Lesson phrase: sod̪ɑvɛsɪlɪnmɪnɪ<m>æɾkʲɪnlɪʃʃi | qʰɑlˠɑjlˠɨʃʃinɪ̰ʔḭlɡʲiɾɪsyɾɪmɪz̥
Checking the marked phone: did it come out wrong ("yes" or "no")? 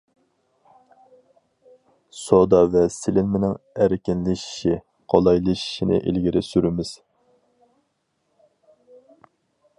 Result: yes